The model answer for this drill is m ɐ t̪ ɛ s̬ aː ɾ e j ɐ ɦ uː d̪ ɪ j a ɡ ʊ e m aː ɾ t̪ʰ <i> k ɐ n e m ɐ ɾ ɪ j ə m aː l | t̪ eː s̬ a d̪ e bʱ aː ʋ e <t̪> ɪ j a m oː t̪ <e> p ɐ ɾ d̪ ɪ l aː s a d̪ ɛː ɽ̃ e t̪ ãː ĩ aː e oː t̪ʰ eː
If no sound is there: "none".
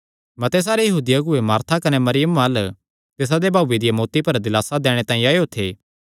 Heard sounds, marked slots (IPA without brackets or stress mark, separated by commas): a, d̪, i